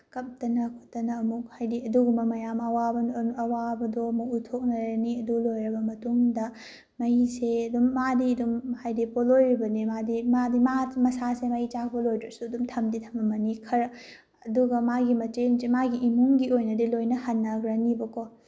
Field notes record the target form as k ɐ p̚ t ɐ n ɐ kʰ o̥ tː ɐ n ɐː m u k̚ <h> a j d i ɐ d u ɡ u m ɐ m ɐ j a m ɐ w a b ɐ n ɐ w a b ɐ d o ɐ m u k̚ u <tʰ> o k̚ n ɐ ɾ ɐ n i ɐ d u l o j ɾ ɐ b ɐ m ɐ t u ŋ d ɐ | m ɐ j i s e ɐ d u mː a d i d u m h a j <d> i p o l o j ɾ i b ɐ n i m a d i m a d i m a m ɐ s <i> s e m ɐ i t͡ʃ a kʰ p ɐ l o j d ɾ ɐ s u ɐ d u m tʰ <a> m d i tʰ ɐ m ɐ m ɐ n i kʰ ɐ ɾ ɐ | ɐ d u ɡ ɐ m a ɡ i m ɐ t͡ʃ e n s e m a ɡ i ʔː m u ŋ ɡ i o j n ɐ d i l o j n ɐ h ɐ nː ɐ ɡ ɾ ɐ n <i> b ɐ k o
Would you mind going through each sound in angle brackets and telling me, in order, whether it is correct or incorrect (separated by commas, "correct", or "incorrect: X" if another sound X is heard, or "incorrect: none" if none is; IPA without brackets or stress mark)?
correct, correct, correct, incorrect: a, incorrect: ɐ, correct